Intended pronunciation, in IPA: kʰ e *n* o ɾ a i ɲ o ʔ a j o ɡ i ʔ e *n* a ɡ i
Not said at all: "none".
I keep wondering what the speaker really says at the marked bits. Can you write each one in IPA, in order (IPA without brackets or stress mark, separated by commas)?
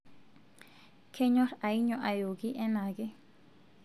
ɲ, n